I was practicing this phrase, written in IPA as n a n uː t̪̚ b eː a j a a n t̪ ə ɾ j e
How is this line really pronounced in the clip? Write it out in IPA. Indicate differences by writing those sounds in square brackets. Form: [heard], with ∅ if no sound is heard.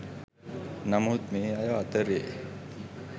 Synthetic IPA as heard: n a [m] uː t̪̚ [m] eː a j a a [∅] t̪ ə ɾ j e